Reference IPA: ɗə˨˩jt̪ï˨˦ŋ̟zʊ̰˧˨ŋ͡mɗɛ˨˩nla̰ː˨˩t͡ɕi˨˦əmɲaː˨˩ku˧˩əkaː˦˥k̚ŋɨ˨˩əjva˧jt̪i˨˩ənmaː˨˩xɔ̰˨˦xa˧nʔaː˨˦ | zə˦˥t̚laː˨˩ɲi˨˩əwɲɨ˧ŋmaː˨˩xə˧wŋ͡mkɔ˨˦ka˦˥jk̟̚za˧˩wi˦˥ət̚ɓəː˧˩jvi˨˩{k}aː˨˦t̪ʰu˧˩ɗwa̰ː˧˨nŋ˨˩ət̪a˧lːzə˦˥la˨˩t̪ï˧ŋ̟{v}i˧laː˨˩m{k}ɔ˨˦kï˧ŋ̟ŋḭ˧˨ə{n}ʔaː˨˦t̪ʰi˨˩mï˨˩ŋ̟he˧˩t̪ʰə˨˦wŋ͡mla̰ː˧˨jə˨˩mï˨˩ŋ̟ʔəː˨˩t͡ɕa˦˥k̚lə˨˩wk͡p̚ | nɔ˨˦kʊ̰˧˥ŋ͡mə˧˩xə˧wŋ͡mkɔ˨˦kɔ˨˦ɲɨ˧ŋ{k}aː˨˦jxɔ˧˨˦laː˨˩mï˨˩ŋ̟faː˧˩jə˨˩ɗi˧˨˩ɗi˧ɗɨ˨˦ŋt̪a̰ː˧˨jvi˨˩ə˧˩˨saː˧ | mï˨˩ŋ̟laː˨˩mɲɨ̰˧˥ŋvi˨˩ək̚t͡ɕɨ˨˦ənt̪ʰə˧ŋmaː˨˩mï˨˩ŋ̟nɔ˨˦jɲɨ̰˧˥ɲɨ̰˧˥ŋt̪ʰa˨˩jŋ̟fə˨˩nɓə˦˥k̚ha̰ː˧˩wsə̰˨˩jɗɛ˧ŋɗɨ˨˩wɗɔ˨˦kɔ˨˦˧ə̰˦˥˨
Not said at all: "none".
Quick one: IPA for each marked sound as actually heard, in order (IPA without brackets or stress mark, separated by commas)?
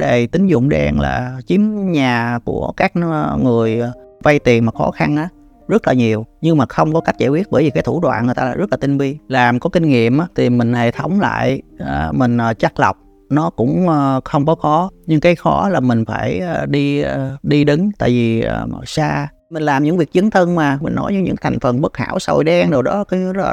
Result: k, v, k, m, k